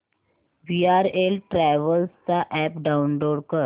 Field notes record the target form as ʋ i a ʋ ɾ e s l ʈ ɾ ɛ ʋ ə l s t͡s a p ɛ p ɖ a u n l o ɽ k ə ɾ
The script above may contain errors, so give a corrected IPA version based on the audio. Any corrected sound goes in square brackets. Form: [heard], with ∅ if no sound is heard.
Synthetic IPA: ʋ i a [∅] ɾ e [∅] l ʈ ɾ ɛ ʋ ə l s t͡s a [ʔ] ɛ p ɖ a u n l o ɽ k ə ɾ